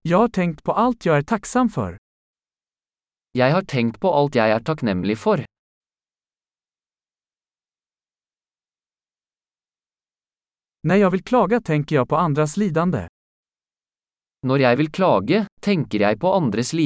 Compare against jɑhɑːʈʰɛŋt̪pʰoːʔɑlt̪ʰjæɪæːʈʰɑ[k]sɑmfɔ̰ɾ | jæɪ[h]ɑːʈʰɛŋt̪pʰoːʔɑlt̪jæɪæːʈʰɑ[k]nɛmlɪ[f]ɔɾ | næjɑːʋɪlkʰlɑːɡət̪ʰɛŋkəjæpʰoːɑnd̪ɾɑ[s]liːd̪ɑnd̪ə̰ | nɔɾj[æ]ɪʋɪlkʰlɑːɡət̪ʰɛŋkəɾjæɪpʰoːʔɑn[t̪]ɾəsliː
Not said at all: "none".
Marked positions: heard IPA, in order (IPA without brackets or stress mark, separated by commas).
k, h, k, f, s, æ, d̪